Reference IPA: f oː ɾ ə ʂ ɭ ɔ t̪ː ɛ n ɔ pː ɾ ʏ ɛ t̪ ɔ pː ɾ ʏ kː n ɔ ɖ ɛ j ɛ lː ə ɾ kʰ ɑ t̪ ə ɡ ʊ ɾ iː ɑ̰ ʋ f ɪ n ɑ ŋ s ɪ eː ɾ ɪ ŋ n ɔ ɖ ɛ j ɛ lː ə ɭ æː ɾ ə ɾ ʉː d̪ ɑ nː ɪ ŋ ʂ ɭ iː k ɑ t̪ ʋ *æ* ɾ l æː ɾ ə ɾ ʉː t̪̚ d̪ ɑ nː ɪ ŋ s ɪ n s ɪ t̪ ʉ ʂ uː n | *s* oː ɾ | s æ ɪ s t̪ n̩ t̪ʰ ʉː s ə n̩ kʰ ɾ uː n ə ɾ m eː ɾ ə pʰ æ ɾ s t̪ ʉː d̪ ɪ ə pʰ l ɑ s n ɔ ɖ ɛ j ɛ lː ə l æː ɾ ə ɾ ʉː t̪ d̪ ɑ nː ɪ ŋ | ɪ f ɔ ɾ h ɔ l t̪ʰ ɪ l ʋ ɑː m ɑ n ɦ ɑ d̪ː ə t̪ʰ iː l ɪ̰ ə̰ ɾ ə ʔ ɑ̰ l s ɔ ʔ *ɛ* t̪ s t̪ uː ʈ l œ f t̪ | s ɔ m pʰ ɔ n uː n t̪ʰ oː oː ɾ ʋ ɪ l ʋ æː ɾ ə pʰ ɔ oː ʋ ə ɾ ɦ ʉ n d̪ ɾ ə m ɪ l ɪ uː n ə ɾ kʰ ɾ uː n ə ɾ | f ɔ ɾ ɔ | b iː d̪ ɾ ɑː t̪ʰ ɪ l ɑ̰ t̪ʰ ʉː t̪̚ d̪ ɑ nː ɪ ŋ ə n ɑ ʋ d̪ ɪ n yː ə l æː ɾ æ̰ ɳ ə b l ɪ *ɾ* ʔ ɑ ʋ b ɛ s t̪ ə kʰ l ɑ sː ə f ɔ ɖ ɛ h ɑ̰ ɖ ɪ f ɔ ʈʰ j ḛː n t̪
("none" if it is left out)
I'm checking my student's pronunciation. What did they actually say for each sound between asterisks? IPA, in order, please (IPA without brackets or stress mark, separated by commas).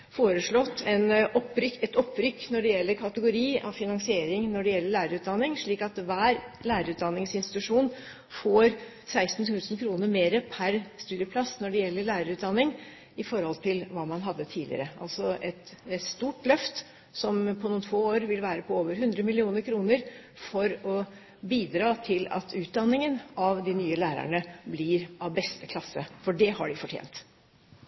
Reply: æː, f, ɛ, ɾ